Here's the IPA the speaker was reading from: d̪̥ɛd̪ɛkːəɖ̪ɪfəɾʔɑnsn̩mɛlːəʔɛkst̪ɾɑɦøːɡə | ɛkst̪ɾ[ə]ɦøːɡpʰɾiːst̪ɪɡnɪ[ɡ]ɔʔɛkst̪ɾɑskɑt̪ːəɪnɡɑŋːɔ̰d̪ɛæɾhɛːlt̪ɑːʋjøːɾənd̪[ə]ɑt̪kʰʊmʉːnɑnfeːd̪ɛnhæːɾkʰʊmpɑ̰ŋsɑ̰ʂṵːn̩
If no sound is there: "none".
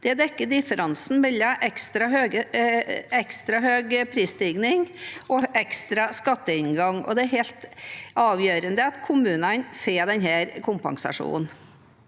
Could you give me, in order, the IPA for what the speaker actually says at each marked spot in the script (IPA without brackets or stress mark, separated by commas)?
ɑ, ŋ, ə